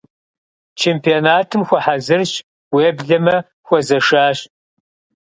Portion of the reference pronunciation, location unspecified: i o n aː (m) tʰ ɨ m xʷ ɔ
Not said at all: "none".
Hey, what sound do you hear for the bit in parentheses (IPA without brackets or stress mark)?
none